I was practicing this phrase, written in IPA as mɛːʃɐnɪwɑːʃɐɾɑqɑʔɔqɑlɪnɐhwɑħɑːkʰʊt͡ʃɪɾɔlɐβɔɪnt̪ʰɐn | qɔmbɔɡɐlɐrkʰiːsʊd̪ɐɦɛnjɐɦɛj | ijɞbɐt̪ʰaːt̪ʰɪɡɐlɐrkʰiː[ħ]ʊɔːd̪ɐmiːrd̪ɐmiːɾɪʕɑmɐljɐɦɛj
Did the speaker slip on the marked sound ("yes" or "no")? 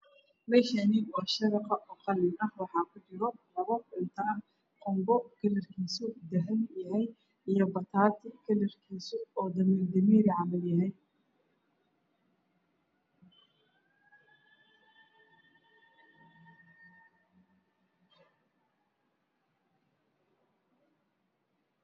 yes